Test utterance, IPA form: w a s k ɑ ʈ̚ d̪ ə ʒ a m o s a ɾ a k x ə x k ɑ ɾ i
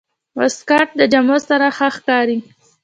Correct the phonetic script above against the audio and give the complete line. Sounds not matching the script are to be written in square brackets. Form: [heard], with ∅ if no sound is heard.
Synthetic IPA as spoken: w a s k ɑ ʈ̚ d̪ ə [d͡ʒ] a m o s a ɾ a [∅] x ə x k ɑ ɾ i